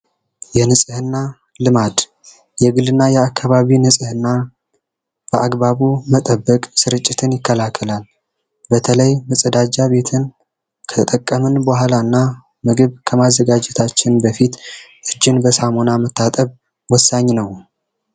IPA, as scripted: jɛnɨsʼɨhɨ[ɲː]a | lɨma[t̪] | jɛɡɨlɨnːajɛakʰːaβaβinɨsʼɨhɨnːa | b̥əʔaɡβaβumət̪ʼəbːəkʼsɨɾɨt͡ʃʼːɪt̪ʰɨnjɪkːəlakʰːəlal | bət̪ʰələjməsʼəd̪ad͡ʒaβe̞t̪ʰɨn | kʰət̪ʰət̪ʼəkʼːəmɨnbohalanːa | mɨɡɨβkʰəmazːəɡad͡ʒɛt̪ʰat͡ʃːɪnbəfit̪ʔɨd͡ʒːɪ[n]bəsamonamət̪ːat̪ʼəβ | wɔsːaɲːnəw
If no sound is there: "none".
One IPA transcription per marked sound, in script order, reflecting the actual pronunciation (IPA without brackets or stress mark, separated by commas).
nː, d̪, n